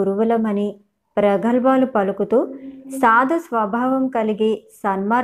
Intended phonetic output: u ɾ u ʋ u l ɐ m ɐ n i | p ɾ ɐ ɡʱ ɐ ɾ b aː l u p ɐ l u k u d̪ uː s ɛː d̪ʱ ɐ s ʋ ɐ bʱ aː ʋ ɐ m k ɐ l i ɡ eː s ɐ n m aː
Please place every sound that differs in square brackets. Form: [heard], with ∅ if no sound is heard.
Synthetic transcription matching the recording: u ɾ u ʋ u l ɐ m ɐ n i | p ɾ ɐ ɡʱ ɐ [l] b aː l u p ɐ l u k u [t̪] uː s [aː] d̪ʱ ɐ s ʋ ɐ bʱ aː ʋ ɐ m k ɐ l i ɡ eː s ɐ n m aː